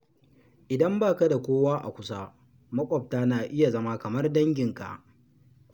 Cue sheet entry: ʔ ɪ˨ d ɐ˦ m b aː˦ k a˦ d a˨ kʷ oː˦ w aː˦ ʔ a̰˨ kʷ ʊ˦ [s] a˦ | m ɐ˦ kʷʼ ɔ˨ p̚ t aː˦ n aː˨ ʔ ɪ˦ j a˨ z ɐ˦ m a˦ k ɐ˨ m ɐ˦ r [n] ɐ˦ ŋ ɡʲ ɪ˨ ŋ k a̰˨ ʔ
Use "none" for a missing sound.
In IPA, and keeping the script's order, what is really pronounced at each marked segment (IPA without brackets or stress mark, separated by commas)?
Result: s, d